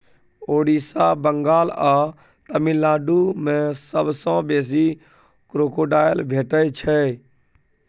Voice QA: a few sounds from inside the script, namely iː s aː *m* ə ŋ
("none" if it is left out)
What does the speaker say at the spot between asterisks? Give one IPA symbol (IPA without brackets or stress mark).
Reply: b